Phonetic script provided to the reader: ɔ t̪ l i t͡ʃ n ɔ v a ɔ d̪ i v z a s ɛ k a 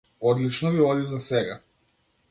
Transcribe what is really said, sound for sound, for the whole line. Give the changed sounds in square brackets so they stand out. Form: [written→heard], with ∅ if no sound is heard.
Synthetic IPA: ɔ [t̪→d̪] l i t͡ʃ n ɔ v [a→i] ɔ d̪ i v z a s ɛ [k→ɡ] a